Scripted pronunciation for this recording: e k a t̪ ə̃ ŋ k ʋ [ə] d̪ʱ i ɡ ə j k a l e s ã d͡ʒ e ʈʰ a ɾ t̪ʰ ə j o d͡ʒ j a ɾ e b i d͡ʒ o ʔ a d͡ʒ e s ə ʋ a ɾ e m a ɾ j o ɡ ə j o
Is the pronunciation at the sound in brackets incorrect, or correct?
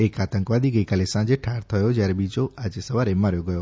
incorrect